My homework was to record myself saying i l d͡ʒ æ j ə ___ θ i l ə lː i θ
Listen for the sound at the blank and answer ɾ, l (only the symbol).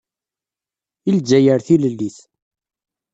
ɾ